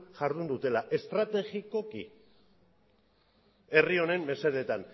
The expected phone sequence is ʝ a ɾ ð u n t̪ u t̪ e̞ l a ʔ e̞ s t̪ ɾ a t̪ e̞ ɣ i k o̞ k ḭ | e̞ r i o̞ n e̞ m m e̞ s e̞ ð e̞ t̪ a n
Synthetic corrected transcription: ʝ a ɾ ð u n d̪ u t̪ e̞ l a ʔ e̞ s t̪ ɾ a t̪ e̞ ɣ i k o̞ k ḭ | e̞ r i o̞ n e̞ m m e̞ s e̞ ð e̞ t̪ a n